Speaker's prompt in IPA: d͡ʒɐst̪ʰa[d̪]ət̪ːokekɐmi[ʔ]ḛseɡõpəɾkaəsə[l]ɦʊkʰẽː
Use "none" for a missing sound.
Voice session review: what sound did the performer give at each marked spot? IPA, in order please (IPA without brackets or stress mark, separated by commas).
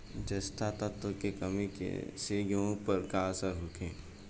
t̪, k, ɾ